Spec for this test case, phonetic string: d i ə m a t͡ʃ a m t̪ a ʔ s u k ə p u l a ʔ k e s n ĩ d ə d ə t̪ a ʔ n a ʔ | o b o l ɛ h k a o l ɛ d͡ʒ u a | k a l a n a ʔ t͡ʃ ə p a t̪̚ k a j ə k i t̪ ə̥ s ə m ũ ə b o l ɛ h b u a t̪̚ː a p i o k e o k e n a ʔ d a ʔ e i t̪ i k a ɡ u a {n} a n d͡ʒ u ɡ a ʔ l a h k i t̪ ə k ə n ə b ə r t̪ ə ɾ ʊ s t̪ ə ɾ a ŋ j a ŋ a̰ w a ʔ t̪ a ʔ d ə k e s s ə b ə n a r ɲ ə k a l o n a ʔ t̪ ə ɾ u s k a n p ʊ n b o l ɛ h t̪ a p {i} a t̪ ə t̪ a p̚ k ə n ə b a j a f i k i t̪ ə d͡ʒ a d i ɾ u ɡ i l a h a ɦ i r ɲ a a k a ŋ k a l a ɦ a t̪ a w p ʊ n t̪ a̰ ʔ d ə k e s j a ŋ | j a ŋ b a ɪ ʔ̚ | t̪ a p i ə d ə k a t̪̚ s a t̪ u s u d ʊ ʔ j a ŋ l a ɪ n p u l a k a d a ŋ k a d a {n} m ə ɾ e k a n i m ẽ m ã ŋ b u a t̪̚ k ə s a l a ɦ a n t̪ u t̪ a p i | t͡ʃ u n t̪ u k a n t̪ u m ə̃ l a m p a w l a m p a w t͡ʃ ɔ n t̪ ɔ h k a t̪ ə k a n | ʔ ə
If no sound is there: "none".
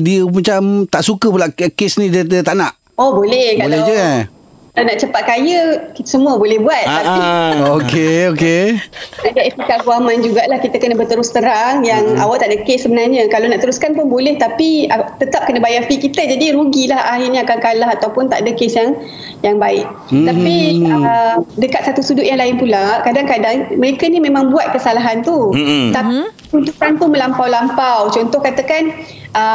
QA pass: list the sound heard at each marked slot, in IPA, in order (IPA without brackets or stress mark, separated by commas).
m, i, ŋ